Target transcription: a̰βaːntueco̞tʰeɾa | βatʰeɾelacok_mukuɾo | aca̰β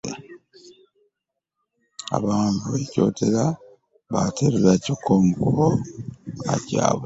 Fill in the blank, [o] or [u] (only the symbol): o